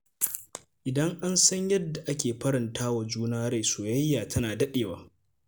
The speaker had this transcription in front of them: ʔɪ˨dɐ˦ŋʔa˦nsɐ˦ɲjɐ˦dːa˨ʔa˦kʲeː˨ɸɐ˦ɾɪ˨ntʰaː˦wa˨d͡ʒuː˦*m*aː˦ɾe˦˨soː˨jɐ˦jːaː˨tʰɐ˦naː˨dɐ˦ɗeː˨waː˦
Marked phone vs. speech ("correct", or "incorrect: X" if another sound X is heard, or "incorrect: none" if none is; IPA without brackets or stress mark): incorrect: n